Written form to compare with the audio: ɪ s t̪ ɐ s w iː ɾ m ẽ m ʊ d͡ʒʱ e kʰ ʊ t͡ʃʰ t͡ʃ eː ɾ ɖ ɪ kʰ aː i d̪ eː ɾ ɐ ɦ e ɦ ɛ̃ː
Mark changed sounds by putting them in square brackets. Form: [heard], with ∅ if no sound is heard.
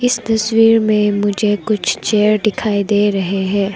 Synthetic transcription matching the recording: ɪ s t̪ ɐ s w iː ɾ m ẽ m ʊ d͡ʒʱ e [k] ʊ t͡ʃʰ t͡ʃ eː ɾ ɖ ɪ kʰ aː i d̪ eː ɾ ɐ ɦ e ɦ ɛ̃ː